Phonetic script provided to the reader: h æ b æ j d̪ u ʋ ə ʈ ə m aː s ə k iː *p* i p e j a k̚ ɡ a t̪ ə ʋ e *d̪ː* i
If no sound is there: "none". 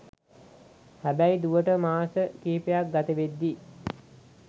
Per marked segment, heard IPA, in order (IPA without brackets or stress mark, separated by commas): none, d̪ː